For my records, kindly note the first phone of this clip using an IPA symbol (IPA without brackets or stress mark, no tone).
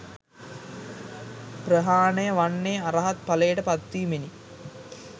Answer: p